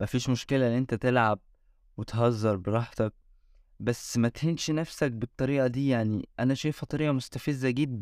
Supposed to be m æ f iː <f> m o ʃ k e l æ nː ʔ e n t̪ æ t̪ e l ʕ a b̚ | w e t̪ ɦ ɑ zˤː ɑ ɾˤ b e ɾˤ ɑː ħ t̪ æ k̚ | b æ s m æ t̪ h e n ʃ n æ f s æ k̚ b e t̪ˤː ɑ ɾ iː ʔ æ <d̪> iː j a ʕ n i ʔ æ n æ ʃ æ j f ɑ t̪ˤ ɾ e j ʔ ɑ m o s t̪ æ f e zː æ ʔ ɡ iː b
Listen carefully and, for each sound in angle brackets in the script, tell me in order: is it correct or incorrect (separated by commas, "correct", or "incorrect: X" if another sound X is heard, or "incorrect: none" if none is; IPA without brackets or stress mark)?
incorrect: ʃ, correct